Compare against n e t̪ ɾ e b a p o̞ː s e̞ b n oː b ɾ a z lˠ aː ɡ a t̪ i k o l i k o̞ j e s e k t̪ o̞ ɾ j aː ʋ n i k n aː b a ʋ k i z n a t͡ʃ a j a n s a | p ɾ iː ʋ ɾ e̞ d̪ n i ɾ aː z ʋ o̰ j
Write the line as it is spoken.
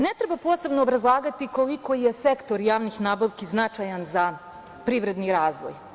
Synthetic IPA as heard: n e t̪ ɾ e b a p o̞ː s e̞ b n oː b ɾ a z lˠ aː ɡ a t̪ i k o l i k o̞ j e s e k t̪ o̞ ɾ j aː ʋ n i x n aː b a ʋ k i z n a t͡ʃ a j a n z a | p ɾ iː ʋ ɾ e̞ d̪ n i ɾ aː z ʋ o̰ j